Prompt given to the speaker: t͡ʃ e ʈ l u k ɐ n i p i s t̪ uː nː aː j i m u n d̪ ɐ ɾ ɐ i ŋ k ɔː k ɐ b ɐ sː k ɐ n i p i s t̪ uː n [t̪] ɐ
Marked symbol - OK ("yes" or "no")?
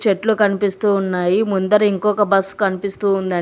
no